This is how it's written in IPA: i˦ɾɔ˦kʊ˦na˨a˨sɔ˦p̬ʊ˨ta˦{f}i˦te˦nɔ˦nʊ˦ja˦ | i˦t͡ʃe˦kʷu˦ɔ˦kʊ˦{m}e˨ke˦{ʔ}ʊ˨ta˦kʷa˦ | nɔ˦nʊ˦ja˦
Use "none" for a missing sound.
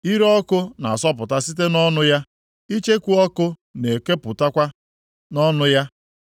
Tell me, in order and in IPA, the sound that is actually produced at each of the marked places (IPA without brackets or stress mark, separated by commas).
s, n, p